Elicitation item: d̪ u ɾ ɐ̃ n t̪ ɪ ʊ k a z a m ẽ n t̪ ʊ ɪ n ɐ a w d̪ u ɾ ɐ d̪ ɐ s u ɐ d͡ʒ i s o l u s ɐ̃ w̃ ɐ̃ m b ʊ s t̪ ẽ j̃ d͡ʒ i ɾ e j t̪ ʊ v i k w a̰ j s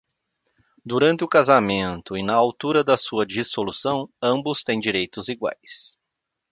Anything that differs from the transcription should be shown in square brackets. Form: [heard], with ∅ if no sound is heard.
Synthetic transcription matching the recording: d̪ u ɾ ɐ̃ n t̪ ɪ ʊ k a z a m ẽ n t̪ ʊ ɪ n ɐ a w [t̪] u ɾ ɐ d̪ ɐ s u ɐ d͡ʒ i s o l u s ɐ̃ w̃ ɐ̃ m b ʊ s t̪ ẽ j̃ d͡ʒ i ɾ e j t̪ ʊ [z] i [ɡ] w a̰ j s